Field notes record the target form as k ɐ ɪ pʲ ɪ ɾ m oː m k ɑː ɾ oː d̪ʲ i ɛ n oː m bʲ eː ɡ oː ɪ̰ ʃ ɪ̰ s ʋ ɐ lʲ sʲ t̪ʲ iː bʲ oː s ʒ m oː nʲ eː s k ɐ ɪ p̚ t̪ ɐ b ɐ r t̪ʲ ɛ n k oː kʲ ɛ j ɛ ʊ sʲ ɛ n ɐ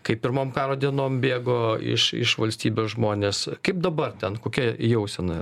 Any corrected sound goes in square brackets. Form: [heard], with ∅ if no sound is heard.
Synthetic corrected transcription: k ɐ ɪ pʲ ɪ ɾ m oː m k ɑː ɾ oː d̪ʲ i ɛ n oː m bʲ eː ɡ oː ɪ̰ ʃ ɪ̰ [ʃ] ʋ ɐ lʲ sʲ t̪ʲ iː bʲ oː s ʒ m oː nʲ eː s k ɐ ɪ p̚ [d̪] ɐ b ɐ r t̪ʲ ɛ n k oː kʲ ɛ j ɛ ʊ sʲ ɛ n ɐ